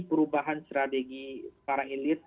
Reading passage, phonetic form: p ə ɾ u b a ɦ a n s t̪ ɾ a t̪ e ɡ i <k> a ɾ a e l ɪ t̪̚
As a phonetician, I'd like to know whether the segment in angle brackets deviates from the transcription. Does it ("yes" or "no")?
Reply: yes